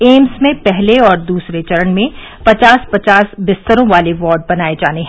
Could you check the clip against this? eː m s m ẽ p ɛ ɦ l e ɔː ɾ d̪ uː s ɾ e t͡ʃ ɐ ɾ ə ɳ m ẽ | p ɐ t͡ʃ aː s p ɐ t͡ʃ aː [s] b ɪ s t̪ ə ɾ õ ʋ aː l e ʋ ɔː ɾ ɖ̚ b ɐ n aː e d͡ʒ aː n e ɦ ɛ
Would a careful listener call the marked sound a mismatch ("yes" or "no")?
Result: no